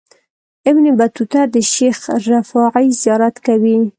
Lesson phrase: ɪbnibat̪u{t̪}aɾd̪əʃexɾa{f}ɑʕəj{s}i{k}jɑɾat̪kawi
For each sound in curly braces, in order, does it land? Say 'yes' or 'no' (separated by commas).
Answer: yes, yes, no, no